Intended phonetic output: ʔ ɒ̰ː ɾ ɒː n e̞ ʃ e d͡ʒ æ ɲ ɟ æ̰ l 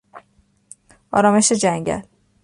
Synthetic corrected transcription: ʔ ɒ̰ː ɾ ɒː m e̞ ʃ e d͡ʒ æ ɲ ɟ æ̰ l